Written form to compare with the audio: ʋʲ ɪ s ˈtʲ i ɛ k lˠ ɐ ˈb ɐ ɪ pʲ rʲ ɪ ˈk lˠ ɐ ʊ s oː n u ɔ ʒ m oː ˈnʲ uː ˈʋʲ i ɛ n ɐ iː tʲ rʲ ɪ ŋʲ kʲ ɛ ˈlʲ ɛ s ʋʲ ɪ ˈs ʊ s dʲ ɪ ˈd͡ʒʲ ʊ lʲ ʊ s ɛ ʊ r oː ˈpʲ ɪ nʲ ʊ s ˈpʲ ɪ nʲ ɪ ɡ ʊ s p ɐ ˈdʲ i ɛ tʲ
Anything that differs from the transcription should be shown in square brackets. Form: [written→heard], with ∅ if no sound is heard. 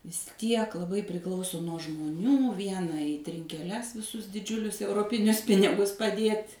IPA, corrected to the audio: ʋʲ ɪ s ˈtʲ i ɛ k lˠ ɐ ˈb ɐ ɪ pʲ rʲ ɪ ˈk lˠ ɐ ʊ s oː n u ɔ ʒ m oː ˈnʲ uː ˈʋʲ i ɛ n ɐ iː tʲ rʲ ɪ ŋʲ kʲ ɛ ˈlʲ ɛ s ʋʲ ɪ ˈs ʊ s dʲ ɪ ˈd͡ʒʲ ʊ lʲ ʊ s ɛ ʊ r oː ˈpʲ ɪ nʲ ʊ s ˈpʲ ɪ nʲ ɪ ɡ ʊ s p ɐ ˈdʲ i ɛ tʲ

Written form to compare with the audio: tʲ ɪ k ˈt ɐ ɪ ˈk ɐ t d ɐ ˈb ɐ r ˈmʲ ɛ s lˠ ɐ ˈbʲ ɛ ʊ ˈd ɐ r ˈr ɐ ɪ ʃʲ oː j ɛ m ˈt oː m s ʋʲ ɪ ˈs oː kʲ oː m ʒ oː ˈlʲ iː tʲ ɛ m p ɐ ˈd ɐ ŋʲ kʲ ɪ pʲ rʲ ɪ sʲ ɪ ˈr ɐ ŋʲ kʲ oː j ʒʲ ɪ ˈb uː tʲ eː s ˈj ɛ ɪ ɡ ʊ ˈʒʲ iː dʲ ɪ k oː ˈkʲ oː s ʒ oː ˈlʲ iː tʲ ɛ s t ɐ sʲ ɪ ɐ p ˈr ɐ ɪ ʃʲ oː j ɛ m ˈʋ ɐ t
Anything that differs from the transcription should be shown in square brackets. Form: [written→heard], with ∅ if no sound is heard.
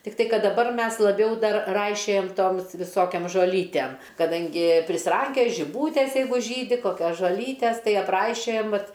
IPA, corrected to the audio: tʲ ɪ k ˈt ɐ ɪ ˈk ɐ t d ɐ ˈb ɐ r ˈmʲ ɛ s lˠ ɐ ˈbʲ ɛ ʊ ˈd ɐ r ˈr ɐ ɪ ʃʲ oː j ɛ m ˈt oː m s ʋʲ ɪ ˈs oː kʲ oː m ʒ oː ˈlʲ iː tʲ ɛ m [p→k] ɐ ˈd ɐ ŋʲ [kʲ→ɡʲ] ɪ pʲ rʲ ɪ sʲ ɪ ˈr ɐ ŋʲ kʲ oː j ʒʲ ɪ ˈb uː tʲ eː s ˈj ɛ ɪ ɡ ʊ ˈʒʲ iː dʲ ɪ k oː ˈkʲ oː s ʒ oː ˈlʲ iː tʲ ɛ s t ɐ [sʲ→∅] ɪ ɐ p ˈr ɐ ɪ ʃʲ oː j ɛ m ˈʋ ɐ t

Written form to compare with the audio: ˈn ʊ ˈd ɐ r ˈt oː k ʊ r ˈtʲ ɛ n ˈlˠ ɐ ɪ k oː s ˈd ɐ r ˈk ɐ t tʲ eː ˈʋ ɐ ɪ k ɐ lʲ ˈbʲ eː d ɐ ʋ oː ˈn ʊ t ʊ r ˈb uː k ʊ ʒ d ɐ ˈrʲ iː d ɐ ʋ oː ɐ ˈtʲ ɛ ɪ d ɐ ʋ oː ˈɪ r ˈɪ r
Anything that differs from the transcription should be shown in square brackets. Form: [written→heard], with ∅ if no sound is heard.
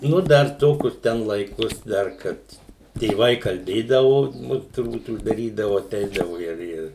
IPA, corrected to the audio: ˈn ʊ ˈd ɐ r ˈt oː k ʊ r ˈtʲ ɛ n ˈlˠ ɐ ɪ k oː s ˈd ɐ r ˈk ɐ t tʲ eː ˈʋ ɐ ɪ k ɐ lʲ ˈbʲ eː d ɐ ʋ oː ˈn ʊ t ʊ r ˈb uː [k→t] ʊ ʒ d ɐ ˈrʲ iː d ɐ ʋ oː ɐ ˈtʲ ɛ ɪ d ɐ ʋ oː ˈɪ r ˈɪ r

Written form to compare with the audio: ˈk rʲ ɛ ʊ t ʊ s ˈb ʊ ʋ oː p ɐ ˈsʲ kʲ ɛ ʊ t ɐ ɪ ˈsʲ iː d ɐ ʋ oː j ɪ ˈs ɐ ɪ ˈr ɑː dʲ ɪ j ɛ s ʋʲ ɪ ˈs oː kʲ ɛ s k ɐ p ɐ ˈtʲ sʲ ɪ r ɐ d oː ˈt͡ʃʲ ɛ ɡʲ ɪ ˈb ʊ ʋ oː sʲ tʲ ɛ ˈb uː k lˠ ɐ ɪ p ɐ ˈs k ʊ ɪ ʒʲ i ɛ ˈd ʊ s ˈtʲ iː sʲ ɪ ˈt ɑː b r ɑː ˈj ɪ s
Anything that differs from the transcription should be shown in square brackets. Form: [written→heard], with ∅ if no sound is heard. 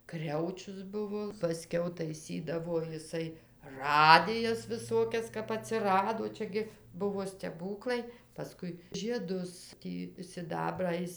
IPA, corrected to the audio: ˈk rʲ ɛ ʊ [t→t͡ʃʲ] ʊ s ˈb ʊ ʋ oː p ɐ ˈsʲ kʲ ɛ ʊ t ɐ ɪ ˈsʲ iː d ɐ ʋ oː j ɪ ˈs ɐ ɪ ˈr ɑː dʲ ɪ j ɛ s ʋʲ ɪ ˈs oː kʲ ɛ s k ɐ p ɐ ˈtʲ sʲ ɪ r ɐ d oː ˈt͡ʃʲ ɛ ɡʲ ɪ ˈb ʊ ʋ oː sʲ tʲ ɛ ˈb uː k lˠ ɐ ɪ p ɐ ˈs k ʊ ɪ ʒʲ i ɛ ˈd ʊ s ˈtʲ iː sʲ ɪ [ˈt→ˈd] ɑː b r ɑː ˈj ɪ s

